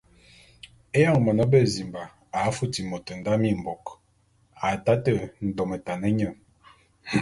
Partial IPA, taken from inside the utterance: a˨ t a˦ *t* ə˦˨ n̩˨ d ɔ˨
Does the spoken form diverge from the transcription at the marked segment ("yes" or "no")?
no